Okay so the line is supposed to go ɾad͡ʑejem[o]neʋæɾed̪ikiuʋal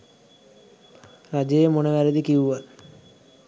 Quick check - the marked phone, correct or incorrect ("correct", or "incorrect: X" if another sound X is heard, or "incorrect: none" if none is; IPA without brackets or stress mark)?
correct